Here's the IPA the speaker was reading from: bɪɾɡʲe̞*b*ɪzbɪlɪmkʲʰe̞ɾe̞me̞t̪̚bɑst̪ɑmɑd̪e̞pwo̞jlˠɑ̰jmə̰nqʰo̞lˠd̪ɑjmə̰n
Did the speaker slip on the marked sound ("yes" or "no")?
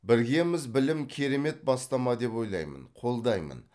yes